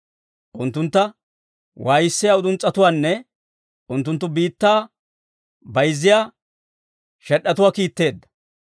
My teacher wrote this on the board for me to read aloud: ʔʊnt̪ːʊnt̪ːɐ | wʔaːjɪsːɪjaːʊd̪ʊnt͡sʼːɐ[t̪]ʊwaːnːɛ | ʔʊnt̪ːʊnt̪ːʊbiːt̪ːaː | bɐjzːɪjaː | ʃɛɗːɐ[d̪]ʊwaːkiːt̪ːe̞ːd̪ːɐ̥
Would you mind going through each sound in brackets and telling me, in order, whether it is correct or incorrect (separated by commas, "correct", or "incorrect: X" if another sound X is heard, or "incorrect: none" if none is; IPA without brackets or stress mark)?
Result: correct, incorrect: t̪